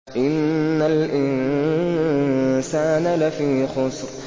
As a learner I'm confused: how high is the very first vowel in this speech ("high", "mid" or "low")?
high